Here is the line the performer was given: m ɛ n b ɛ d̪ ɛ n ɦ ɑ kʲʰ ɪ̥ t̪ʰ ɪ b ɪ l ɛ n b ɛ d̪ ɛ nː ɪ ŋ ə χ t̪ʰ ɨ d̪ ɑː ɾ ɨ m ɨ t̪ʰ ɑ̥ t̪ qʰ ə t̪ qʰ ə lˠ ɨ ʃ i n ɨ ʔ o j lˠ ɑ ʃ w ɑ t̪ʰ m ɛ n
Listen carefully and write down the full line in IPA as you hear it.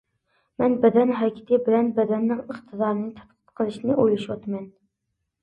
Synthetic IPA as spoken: m ɛ n b ɛ d̪ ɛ n ɦ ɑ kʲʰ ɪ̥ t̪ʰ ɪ b ɪ l ɛ n b ɛ d̪ ɛ nː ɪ ŋ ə χ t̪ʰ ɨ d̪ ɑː ɾ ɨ n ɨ t̪ʰ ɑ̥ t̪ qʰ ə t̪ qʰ ə lˠ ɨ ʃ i n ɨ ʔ o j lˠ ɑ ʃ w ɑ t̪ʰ m ɛ n